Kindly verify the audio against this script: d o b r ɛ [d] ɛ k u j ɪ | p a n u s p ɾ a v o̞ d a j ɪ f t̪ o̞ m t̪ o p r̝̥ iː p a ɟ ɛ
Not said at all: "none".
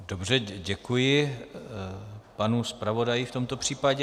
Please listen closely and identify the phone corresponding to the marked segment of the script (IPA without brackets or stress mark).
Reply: ɟ